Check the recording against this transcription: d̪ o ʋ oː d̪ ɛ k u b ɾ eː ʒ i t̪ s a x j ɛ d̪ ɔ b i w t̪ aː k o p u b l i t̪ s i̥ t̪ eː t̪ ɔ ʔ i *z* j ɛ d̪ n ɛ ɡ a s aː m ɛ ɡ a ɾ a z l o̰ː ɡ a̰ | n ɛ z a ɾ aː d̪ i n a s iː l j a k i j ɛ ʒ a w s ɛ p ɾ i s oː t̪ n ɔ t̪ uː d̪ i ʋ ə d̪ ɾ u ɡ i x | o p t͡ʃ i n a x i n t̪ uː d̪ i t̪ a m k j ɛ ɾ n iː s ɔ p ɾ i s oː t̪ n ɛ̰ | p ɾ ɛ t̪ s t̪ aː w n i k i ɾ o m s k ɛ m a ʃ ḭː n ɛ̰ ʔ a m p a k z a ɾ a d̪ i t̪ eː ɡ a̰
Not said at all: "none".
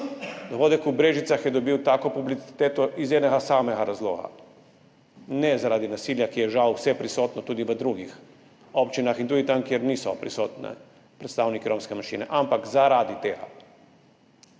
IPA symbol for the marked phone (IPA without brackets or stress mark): z